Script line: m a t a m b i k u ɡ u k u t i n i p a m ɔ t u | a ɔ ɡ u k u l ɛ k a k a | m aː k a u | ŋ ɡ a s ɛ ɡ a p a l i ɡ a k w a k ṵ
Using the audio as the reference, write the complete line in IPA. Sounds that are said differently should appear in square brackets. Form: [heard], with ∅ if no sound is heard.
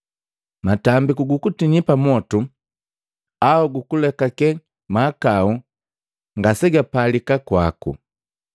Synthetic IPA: m a t a m b i k u ɡ u k u t i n i p a m ɔ t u | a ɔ ɡ u k u l ɛ k a k [ɛ] | m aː k a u | ŋ ɡ a s ɛ ɡ a p a l i [k] a k w a k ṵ